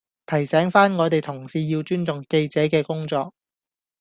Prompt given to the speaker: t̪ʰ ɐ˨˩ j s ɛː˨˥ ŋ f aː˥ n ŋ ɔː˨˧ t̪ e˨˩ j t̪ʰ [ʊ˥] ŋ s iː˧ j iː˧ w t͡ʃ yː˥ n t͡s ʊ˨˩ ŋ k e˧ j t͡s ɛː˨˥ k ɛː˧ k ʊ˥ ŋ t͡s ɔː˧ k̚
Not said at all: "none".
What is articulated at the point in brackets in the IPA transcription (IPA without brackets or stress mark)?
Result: ʊ˨˩